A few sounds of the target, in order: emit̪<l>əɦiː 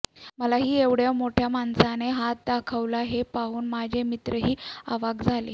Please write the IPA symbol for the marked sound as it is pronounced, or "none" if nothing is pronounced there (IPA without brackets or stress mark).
ɾ